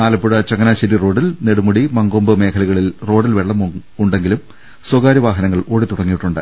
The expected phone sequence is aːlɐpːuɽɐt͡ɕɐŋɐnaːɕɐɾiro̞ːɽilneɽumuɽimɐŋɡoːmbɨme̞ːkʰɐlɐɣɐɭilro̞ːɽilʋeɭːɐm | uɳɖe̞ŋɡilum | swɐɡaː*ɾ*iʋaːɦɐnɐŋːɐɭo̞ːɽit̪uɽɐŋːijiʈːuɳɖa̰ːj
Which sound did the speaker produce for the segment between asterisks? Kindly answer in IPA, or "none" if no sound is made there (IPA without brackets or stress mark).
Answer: ɾ